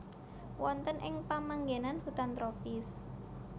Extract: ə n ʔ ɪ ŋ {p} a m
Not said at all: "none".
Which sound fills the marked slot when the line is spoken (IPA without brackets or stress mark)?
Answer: p